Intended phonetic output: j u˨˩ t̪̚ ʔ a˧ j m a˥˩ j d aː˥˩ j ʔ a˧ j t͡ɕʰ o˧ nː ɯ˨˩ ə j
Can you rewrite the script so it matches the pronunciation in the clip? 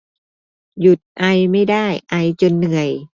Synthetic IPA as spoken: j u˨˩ t̪̚ ʔ a˧ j m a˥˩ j d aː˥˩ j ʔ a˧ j t͡ɕ o˧ nː ɯ˨˩ ə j